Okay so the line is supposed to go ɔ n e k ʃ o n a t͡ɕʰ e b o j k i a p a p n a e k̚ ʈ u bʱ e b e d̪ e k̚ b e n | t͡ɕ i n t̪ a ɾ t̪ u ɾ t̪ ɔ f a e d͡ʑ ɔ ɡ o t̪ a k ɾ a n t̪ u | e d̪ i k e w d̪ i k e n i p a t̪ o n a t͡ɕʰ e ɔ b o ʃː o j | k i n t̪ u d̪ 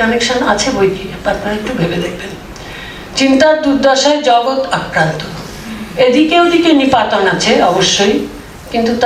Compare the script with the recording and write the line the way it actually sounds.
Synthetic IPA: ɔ n e k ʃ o n a t͡ɕʰ e b o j k i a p a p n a e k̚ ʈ u bʱ e b e d̪ e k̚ b e n | t͡ɕ i n t̪ a ɾ d̪ u ɾ d̪ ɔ ʃ a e d͡ʑ ɔ ɡ o t̪ a k ɾ a n t̪ o | e d̪ i k e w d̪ i k e n i p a t̪ o n a t͡ɕʰ e ɔ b o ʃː o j | k i n t̪ u t̪